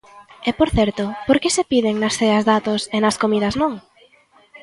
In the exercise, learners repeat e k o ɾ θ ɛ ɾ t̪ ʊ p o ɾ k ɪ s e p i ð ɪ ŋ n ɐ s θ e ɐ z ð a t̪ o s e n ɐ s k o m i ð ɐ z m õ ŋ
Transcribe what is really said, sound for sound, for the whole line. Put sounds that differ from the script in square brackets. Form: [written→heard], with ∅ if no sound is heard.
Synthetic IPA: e [k→p] o ɾ θ ɛ ɾ t̪ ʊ p o ɾ k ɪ s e p i ð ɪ ŋ n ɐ s θ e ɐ z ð a t̪ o s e n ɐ s k o m i ð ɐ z [m→n] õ ŋ